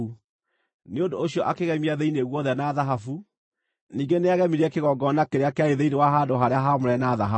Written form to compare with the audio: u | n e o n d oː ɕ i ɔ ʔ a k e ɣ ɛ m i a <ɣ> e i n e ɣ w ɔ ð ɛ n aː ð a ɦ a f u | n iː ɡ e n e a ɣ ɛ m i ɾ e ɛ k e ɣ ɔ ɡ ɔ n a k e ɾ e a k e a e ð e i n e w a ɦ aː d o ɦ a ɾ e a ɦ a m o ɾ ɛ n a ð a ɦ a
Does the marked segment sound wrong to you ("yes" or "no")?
yes